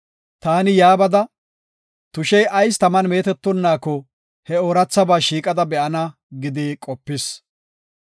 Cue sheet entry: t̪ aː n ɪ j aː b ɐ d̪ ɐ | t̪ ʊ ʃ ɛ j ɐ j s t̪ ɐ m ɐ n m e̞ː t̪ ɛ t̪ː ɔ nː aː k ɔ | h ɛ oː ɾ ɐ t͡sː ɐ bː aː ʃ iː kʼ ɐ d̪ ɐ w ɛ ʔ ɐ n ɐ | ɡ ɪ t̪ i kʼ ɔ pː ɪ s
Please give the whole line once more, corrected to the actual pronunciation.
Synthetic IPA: t̪ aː n ɪ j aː b ɐ d̪ ɐ | t̪ ʊ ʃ ɛ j ɐ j s t̪ ɐ m ɐ n m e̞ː t̪ ɛ t̪ː ɔ nː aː k ɔ | h ɛ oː ɾ ɐ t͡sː ɐ b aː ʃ iː kʼ ɐ d̪ ɐ b ɛ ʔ ɐ n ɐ | ɡ ɪ d̪ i kʼ ɔ pː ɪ s